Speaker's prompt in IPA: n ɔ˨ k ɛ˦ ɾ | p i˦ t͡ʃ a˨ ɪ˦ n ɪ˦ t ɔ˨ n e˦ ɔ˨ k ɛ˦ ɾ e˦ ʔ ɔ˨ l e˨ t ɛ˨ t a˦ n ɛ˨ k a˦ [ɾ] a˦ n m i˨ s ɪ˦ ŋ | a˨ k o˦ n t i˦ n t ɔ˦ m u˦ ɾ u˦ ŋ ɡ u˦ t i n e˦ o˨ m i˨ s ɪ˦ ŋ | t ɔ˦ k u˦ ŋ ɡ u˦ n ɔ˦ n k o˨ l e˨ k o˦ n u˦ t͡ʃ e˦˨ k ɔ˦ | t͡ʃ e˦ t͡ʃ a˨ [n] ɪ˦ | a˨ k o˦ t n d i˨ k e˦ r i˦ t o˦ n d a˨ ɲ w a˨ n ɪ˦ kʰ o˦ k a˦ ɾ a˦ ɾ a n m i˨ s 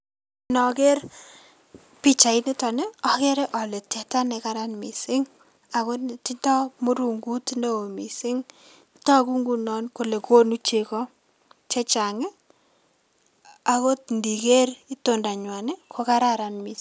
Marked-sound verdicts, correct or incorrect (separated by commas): correct, incorrect